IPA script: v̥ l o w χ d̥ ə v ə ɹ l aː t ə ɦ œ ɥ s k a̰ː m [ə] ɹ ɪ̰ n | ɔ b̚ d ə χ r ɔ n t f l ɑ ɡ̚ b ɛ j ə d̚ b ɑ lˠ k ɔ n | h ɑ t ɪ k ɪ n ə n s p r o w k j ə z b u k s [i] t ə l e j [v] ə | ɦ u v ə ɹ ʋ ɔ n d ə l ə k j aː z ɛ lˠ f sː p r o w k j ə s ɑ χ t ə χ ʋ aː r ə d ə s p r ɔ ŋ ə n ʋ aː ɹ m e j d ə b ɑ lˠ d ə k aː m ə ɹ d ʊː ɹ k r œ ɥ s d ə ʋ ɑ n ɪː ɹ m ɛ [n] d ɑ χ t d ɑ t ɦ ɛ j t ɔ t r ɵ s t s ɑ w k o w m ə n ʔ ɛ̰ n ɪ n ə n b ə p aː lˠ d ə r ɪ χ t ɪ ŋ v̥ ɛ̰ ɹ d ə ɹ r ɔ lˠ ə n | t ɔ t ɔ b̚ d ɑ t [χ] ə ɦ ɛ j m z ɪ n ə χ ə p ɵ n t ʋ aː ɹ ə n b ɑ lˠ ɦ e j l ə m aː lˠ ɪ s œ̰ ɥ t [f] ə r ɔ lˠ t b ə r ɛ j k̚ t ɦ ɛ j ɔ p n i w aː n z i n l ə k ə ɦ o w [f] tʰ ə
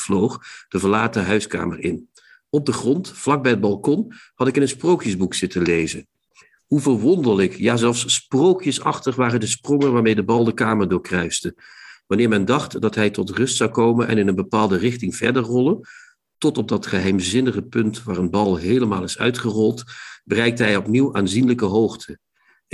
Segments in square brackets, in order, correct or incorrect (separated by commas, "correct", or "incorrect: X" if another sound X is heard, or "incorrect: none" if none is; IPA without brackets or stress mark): correct, incorrect: ɪ, incorrect: z, correct, correct, incorrect: χ, incorrect: χ